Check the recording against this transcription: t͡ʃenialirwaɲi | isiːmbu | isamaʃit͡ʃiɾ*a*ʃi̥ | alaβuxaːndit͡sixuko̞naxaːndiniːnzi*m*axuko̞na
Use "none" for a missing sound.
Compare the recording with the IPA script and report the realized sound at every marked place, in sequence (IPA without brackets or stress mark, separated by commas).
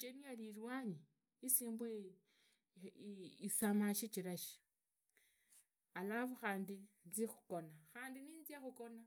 a, none